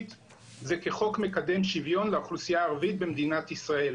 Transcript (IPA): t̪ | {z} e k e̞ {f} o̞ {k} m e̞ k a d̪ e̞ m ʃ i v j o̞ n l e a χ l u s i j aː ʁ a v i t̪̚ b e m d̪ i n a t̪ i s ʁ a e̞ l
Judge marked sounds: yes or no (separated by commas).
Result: yes, no, yes